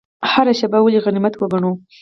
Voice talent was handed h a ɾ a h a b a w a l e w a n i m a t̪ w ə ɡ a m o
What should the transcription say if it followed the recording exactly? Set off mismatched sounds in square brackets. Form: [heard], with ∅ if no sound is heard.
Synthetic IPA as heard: h a ɾ a [ʃ] a b a w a l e [ɣ] a n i m a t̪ w ə ɡ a [ɳ] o

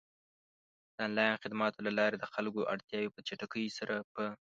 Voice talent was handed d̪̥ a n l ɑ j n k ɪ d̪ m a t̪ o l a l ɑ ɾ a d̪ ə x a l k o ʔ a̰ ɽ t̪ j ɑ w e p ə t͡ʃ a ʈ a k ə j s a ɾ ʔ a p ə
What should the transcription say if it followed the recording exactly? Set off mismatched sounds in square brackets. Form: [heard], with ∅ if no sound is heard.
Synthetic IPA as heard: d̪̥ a n l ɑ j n [x] ɪ d̪ m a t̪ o l a l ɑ ɾ [e] d̪ ə x a l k o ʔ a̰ ɽ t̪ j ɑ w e p ə t͡ʃ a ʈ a k ə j s a ɾ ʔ a p ə

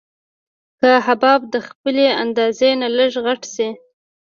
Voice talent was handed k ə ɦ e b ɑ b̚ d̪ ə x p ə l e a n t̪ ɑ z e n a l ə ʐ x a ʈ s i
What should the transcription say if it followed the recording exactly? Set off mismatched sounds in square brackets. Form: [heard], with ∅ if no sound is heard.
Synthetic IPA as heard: k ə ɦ [a] b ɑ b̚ d̪ ə x p ə l e a n [d̪] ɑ z e n a l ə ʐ [ɣ] a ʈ s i

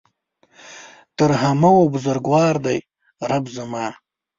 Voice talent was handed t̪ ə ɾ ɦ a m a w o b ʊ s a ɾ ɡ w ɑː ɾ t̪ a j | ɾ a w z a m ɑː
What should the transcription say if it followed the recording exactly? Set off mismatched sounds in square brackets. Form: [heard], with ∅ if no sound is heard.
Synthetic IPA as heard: t̪ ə ɾ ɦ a m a w o b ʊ [z] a ɾ ɡ w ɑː ɾ [d̪] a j | ɾ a [b] z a m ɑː

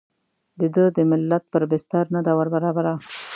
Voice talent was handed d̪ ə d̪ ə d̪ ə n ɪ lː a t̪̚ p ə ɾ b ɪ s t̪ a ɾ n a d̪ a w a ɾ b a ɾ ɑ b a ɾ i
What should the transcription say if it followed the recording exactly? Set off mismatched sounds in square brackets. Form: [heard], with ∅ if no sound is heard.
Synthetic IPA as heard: d̪ ə d̪ ə d̪ ə [m] ɪ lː a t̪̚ p ə ɾ b ɪ s t̪ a ɾ n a d̪ a w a ɾ b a ɾ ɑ b a ɾ [a]

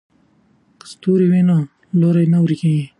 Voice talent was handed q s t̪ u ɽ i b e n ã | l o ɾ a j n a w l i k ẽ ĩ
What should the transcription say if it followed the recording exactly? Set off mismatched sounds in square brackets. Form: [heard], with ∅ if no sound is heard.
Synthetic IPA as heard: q s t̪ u [ɾ] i [w] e n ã | l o ɾ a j n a w [ɾ] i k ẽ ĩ

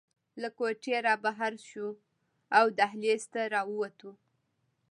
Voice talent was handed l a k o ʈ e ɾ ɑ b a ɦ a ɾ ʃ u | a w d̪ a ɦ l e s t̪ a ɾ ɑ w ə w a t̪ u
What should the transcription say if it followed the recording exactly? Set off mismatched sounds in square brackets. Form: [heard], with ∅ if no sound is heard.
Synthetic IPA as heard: l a k o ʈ e ɾ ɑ b a ɦ a ɾ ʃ u | a w d̪ a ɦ l e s t̪ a ɾ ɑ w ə w a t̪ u

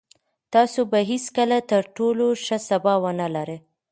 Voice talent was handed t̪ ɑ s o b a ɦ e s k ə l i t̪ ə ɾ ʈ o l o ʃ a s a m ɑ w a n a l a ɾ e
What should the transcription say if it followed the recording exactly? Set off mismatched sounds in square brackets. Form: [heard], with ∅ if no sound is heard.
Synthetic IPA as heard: t̪ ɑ s o b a ɦ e s k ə l [a] t̪ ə ɾ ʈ o l o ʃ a s a [b] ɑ w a n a l a ɾ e

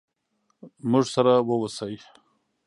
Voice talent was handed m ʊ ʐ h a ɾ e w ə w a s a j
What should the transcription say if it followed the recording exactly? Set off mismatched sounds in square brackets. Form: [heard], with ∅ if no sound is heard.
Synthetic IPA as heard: m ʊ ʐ [s] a ɾ [a] w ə w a s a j

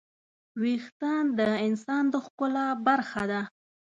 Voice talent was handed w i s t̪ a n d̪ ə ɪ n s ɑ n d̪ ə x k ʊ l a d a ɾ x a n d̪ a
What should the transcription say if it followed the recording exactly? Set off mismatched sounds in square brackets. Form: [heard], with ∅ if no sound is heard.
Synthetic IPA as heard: w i [x] t̪ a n d̪ ə ɪ n s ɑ n d̪ ə x k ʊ l a [b] a ɾ x a [∅] d̪ a

